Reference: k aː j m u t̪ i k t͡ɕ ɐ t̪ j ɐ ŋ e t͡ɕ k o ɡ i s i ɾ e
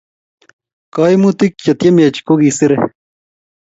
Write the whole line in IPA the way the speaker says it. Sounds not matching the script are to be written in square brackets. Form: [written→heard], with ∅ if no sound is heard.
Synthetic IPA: k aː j m u t̪ i k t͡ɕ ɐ t̪ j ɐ [ŋ→m] e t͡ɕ k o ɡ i s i ɾ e